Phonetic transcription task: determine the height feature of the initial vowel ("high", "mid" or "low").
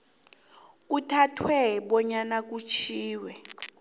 high